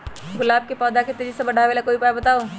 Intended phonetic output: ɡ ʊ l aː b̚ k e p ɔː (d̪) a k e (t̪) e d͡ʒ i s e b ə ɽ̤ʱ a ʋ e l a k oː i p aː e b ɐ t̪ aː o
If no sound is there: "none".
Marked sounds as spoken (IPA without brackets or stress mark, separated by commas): d̪, t̪